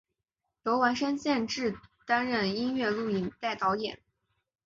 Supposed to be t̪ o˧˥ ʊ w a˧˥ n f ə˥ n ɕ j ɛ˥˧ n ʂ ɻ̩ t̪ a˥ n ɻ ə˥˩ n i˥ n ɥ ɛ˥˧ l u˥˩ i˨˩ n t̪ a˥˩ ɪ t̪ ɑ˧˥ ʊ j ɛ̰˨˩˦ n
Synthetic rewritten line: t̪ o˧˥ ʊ w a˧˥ n ʂ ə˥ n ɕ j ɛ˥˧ n ʈ͡ʂ ɻ̩ t̪ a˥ n ɻ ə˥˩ n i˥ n ɥ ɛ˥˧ l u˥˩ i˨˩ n t̪ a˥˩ ɪ t̪ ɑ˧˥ ʊ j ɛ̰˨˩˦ n